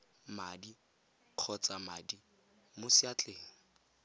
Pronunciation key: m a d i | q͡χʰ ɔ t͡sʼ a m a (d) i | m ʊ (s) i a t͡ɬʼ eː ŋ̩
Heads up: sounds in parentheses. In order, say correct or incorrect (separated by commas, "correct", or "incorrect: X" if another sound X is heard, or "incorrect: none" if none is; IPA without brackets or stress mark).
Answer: correct, correct